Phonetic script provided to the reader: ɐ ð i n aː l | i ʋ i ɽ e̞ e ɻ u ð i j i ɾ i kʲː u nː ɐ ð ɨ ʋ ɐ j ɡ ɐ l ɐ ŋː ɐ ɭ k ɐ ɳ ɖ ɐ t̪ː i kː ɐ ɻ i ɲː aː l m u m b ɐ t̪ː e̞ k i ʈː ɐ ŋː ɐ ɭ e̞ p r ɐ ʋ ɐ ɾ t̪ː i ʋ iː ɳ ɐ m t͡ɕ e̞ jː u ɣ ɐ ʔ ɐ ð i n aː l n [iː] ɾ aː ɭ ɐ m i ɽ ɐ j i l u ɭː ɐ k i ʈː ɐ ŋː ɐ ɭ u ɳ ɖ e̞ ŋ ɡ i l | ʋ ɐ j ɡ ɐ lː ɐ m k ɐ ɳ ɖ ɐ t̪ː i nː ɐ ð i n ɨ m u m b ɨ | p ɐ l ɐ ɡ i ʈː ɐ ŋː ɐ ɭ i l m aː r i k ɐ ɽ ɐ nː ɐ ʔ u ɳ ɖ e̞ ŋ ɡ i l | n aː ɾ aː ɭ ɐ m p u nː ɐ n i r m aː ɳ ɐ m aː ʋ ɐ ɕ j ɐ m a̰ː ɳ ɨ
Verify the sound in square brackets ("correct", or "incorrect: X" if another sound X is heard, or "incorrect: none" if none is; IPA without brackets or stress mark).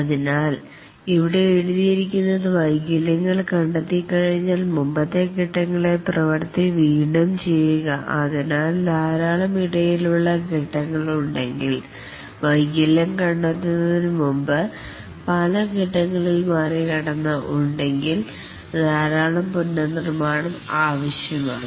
incorrect: aː